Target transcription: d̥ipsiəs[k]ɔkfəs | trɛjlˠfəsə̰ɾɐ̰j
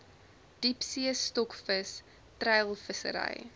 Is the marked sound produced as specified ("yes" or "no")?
no